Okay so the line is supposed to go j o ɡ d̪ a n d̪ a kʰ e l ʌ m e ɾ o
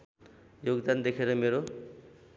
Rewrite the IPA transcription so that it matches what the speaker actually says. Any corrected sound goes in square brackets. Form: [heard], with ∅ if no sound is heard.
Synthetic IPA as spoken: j o ɡ d̪ a n d̪ [e] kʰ e [ɾ] ʌ m e ɾ o